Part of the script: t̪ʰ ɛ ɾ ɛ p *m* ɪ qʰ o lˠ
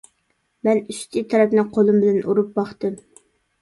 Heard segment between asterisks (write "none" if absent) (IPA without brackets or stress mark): n